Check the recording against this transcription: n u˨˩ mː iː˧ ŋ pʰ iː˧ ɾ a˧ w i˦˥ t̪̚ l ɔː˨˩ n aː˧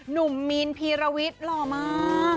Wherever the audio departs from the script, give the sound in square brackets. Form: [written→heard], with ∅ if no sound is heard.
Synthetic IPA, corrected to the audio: n u˨˩ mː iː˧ [ŋ→n] pʰ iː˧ ɾ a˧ w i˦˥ t̪̚ l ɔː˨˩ [n→m] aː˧

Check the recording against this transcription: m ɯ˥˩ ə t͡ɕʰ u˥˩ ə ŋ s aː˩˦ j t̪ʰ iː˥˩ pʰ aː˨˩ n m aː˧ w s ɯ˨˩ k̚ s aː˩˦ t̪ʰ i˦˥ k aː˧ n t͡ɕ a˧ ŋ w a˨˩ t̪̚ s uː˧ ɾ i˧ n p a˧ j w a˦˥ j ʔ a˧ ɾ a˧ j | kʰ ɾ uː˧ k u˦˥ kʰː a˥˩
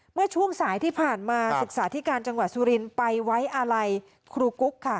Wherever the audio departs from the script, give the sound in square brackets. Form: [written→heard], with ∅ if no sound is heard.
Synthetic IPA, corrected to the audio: m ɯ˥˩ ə t͡ɕʰ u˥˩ ə ŋ s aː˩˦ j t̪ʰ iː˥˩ pʰ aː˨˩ n m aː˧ [w→∅] s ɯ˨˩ k̚ s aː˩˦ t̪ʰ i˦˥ k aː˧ n t͡ɕ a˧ ŋ w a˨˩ t̪̚ s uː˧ ɾ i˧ n p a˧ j w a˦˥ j ʔ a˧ ɾ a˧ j | kʰ ɾ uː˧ k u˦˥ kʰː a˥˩

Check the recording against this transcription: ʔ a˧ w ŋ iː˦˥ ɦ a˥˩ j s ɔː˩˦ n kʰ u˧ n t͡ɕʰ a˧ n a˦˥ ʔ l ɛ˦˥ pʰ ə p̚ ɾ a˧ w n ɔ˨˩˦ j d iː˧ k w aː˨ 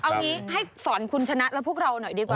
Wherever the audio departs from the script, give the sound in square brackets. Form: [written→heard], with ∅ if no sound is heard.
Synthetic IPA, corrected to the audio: ʔ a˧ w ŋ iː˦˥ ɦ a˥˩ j s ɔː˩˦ n kʰ u˧ n t͡ɕʰ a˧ n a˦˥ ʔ l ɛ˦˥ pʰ ə [p̚→k̚] ɾ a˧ w n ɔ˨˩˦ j d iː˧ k w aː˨

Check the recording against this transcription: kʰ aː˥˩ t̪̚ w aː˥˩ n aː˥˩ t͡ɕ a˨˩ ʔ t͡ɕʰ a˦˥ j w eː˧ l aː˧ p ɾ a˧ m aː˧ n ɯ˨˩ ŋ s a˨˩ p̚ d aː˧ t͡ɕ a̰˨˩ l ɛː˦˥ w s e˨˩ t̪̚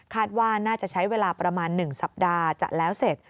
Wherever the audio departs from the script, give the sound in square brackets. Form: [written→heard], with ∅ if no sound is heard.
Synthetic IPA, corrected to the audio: kʰ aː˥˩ t̪̚ w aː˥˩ n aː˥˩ t͡ɕ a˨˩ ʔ t͡ɕʰ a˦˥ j w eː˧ l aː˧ p ɾ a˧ m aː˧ [n→nː] ɯ˨˩ ŋ s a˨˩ p̚ d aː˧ t͡ɕ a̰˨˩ l ɛː˦˥ w s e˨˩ t̪̚

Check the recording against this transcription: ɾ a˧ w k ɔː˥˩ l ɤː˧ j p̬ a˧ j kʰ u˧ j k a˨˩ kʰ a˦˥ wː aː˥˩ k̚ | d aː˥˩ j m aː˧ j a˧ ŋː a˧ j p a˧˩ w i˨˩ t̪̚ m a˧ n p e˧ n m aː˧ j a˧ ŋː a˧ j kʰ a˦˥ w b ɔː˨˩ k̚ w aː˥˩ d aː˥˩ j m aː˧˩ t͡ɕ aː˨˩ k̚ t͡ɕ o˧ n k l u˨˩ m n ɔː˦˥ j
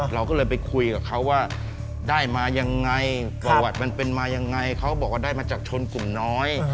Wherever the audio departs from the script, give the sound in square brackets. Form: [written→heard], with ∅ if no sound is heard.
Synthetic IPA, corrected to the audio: ɾ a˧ w k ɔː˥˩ l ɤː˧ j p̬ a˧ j kʰ u˧ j k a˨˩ kʰ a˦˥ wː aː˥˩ [k̚→∅] | d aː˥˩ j m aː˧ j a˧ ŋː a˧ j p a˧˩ w [i˨˩→a˨˩] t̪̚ m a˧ n p e˧ n m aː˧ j a˧ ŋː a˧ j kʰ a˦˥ w b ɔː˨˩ k̚ w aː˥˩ d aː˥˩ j m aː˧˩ t͡ɕ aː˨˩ k̚ [t͡ɕ→t͡ɕʰ] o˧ n k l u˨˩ m n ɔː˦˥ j

